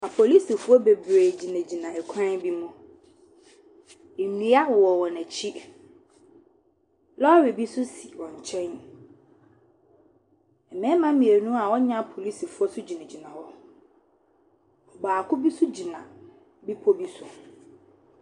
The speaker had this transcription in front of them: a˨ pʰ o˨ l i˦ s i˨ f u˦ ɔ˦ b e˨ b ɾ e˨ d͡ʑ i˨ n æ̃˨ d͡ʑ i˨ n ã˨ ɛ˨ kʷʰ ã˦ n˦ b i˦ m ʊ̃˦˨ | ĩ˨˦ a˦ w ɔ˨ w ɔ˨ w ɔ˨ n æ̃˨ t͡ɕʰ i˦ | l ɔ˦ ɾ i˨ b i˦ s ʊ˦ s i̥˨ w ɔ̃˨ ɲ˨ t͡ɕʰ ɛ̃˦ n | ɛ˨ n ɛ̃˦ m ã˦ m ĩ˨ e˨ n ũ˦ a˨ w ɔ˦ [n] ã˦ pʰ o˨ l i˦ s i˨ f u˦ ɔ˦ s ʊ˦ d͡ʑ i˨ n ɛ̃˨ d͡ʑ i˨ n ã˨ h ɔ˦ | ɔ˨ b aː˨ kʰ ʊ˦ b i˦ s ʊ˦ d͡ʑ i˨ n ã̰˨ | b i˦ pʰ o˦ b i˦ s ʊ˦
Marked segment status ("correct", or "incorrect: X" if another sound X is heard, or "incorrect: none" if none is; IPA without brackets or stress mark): incorrect: ɲ